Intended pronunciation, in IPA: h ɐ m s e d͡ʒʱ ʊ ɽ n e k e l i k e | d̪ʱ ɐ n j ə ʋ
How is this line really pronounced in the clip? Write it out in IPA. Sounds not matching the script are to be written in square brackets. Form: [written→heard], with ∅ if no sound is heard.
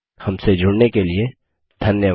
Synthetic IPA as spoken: h ɐ m s e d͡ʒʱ ʊ ɽ n e k e l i [k→∅] e | d̪ʱ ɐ n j ə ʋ